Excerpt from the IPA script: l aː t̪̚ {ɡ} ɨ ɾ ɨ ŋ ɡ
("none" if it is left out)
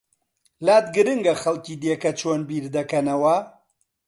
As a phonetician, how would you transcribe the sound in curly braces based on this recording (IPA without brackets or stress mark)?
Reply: ɡ